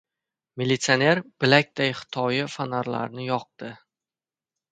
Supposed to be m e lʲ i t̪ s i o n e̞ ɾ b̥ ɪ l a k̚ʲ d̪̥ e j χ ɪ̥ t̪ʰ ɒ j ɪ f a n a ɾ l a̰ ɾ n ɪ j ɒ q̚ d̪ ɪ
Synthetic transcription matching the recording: m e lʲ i t̪ s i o n e̞ ɾ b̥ ɪ l a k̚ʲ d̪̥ a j χ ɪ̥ t̪ʰ ɒ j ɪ f a n a ɾ l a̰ ɾ n ɪ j ɒ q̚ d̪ ɪ